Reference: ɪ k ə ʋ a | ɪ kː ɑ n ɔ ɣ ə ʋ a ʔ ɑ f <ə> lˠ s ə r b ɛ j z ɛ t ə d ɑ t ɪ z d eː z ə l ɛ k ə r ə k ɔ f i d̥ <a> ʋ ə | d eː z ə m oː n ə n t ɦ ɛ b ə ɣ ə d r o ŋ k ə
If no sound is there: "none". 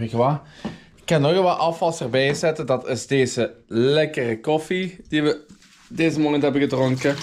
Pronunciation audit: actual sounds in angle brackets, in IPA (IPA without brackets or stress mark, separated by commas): ɑ, i